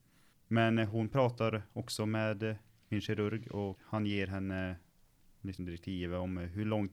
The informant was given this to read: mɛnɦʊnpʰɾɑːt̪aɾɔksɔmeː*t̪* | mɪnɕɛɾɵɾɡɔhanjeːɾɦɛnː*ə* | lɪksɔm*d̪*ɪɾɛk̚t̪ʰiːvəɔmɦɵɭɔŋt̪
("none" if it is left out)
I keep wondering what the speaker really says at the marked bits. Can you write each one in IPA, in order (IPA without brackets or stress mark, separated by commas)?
d̪, ə, d̪